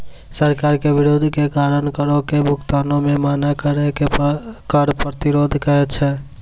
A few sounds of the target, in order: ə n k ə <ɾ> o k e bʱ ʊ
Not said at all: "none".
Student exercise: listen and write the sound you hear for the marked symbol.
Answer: ɾ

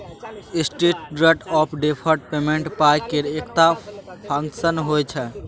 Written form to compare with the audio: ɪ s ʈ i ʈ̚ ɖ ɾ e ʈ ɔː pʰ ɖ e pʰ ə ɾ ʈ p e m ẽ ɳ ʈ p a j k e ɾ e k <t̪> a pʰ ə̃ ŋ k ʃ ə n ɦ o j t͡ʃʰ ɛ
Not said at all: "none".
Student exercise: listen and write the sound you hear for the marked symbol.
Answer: t̪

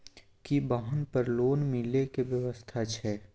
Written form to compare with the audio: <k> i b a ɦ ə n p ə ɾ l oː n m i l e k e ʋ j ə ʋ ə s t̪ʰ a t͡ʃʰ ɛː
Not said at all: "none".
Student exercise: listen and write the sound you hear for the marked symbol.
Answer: k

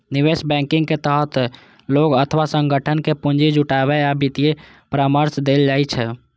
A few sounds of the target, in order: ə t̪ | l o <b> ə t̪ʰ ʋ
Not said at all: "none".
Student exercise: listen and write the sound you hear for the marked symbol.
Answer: ɡ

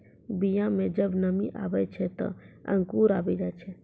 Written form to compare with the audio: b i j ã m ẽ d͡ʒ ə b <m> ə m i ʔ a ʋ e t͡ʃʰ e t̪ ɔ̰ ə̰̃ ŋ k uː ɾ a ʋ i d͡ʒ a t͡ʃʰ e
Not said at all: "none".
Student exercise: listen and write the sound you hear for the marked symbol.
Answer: n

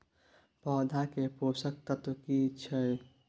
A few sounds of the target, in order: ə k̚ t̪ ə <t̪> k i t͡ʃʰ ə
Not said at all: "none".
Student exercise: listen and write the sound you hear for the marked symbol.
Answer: t̪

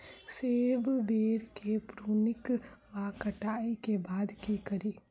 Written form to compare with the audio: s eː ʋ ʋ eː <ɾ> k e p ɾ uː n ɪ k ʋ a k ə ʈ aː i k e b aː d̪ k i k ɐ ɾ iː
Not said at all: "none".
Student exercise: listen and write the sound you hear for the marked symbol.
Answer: ɾ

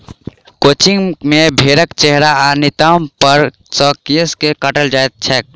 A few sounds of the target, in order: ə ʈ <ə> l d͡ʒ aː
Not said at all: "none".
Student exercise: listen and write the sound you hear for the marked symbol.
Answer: ə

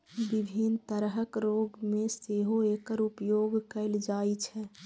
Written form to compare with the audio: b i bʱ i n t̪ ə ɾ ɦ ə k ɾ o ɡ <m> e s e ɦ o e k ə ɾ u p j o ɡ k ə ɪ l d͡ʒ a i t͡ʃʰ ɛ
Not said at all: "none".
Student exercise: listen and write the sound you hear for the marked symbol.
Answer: m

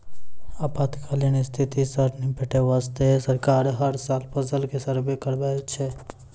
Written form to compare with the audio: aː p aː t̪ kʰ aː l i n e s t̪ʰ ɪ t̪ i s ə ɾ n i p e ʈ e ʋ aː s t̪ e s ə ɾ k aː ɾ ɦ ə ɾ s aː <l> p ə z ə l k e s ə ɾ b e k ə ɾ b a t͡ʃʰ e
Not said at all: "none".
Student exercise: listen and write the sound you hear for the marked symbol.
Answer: l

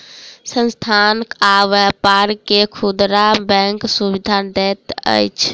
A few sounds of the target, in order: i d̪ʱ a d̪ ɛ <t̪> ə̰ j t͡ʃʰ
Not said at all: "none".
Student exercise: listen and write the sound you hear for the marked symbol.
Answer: t̪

